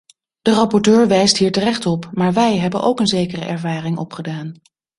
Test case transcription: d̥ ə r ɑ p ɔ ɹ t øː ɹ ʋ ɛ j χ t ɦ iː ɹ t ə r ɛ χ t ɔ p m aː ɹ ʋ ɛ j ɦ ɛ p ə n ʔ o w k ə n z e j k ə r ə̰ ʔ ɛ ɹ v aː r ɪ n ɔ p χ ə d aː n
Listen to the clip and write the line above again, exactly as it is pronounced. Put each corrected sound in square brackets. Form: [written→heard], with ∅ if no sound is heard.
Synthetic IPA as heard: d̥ ə r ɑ p ɔ ɹ t øː ɹ ʋ ɛ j [χ→s] t ɦ iː ɹ t ə r ɛ χ t ɔ p m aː ɹ ʋ ɛ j ɦ ɛ [p→b] ə n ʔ o w k ə n z e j k ə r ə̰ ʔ ɛ ɹ v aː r ɪ [n→ŋ] ɔ p χ ə d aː n